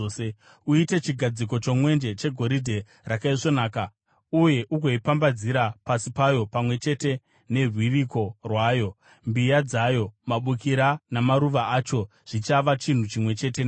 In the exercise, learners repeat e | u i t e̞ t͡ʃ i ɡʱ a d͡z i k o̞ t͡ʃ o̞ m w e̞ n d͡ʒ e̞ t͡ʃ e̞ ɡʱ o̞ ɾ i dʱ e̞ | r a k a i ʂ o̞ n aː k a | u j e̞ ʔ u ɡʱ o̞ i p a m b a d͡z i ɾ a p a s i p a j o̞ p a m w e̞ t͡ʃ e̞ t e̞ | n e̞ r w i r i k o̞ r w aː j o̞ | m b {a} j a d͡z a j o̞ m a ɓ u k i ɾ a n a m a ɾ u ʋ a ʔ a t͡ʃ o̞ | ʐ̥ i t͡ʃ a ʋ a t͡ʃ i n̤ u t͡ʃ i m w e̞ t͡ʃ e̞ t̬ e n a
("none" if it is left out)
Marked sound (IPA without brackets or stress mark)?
i